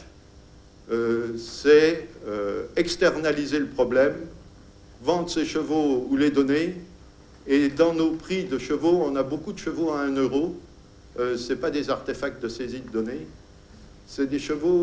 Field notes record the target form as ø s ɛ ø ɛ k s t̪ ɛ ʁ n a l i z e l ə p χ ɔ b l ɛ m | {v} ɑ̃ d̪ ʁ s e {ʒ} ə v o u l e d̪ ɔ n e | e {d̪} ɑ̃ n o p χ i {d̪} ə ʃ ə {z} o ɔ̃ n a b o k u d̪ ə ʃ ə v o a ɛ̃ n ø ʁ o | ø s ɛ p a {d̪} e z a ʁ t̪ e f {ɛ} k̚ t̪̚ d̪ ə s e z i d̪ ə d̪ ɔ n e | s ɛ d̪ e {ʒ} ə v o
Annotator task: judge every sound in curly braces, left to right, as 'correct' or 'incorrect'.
correct, incorrect: ʃ, correct, correct, incorrect: v, correct, incorrect: a, incorrect: ʃ

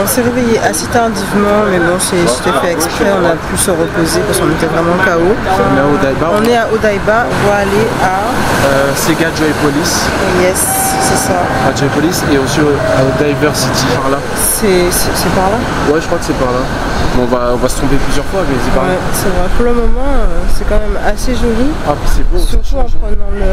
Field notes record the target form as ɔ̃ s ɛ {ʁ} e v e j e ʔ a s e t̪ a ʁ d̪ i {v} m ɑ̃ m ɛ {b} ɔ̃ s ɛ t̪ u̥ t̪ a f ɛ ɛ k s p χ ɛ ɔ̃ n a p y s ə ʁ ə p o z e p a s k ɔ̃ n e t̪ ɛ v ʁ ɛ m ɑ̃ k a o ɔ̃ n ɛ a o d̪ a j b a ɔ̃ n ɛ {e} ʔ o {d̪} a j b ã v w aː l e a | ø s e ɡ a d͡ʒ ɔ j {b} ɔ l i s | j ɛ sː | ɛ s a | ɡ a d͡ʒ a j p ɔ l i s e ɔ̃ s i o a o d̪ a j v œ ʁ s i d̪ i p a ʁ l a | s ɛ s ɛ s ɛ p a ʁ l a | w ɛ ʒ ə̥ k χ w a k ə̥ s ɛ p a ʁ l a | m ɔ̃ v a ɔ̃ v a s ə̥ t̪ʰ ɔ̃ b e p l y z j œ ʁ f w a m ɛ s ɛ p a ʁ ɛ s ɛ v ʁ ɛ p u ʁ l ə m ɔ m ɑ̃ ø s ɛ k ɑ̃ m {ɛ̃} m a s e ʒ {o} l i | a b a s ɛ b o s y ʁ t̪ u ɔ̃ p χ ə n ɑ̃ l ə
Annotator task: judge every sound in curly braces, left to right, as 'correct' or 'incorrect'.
correct, correct, correct, incorrect: a, correct, incorrect: p, incorrect: ɛ, correct

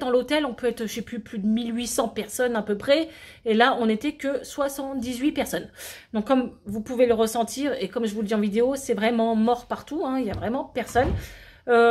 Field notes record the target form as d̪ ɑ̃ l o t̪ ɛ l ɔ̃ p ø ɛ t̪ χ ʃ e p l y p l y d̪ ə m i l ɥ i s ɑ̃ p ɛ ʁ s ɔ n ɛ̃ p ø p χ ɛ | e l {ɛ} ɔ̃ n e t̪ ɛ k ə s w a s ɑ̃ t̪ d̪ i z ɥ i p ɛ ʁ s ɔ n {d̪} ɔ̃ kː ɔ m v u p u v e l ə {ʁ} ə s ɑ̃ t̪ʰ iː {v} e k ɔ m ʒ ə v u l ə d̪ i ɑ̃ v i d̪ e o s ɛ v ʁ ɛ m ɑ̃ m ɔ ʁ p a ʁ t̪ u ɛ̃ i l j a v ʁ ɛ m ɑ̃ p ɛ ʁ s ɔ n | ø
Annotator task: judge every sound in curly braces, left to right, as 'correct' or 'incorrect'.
incorrect: a, correct, correct, incorrect: ʁ

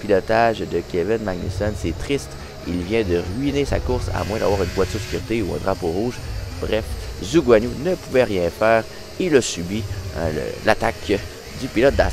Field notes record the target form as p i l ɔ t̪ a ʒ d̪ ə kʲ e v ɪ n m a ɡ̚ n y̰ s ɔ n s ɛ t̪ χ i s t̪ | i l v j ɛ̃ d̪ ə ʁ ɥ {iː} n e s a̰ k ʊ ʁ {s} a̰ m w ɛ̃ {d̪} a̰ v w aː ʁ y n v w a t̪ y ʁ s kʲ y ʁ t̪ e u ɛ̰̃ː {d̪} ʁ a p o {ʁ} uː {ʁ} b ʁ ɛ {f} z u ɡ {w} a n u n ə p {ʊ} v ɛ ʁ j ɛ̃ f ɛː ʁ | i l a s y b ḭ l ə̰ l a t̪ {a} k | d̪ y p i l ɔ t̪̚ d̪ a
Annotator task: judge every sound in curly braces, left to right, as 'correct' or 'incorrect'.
incorrect: i, correct, correct, correct, correct, incorrect: ʒ, correct, correct, incorrect: u, correct

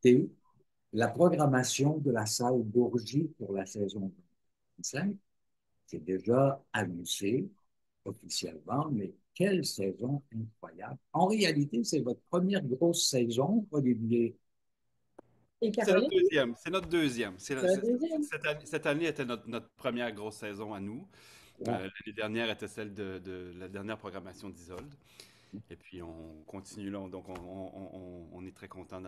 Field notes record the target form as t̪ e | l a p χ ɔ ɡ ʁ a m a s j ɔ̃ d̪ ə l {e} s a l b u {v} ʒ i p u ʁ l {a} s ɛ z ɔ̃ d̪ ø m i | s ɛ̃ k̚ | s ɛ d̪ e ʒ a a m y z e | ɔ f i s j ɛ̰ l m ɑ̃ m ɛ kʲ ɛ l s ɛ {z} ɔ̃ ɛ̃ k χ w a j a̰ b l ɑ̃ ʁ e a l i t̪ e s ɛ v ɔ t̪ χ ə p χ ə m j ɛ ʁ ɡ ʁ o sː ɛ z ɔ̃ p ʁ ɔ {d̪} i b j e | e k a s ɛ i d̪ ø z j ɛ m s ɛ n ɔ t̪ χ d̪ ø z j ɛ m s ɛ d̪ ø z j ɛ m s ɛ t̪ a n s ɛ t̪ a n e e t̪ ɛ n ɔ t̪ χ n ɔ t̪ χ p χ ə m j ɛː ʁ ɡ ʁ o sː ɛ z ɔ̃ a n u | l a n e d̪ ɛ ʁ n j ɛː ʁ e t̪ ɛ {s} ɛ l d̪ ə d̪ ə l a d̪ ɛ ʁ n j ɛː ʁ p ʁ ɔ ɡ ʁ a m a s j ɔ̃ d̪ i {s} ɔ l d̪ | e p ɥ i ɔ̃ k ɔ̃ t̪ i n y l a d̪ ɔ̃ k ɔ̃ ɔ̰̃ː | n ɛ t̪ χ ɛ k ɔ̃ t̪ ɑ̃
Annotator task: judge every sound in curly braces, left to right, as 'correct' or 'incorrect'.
incorrect: a, incorrect: ʁ, correct, correct, correct, correct, incorrect: z

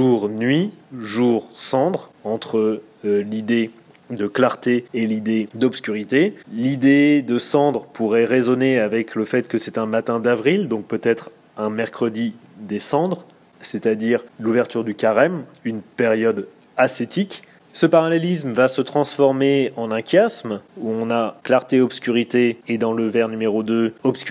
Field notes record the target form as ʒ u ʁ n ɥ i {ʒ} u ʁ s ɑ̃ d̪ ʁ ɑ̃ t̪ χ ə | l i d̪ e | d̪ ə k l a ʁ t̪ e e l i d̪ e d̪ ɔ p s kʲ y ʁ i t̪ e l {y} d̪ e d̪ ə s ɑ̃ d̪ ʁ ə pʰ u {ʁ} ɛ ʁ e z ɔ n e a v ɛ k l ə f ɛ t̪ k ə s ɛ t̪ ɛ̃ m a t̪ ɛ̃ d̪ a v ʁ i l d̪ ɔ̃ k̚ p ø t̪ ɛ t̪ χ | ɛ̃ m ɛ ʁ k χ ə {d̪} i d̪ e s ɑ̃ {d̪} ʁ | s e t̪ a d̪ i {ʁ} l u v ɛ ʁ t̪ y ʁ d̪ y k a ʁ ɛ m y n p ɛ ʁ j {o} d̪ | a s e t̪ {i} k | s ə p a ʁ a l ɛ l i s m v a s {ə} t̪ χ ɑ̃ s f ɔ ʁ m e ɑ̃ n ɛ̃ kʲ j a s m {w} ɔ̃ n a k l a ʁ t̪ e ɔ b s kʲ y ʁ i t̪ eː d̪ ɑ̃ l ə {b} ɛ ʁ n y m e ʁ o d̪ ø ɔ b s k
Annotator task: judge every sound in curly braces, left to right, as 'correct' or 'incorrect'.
correct, incorrect: i, correct, correct, correct, correct, incorrect: ɔ, correct, correct, incorrect: u, incorrect: v

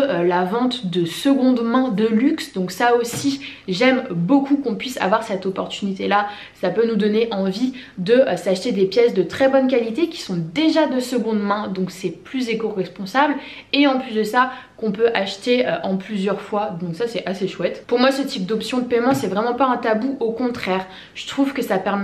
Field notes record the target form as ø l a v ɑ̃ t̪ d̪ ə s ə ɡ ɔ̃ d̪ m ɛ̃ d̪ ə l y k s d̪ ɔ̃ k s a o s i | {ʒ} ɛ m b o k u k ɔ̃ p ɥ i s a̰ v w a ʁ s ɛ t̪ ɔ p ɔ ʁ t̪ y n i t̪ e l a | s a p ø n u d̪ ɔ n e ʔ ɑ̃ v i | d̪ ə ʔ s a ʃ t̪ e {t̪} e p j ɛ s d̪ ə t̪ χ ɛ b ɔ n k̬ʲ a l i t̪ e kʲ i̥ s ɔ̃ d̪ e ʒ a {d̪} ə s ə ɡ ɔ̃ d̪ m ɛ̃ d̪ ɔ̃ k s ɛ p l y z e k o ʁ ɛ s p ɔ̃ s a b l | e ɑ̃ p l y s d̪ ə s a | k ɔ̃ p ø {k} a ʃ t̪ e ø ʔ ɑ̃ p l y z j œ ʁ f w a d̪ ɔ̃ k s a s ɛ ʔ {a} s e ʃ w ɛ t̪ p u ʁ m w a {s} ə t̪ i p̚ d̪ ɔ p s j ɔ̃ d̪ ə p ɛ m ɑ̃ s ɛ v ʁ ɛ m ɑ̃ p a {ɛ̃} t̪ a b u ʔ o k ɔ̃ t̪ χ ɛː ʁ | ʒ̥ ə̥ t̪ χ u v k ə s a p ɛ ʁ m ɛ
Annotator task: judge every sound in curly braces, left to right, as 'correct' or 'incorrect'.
correct, incorrect: d̪, correct, incorrect: ʔ, correct, correct, correct

